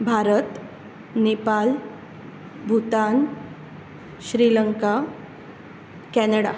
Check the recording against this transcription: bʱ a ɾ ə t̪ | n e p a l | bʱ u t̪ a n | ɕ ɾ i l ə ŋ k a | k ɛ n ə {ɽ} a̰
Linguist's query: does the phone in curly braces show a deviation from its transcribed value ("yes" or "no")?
no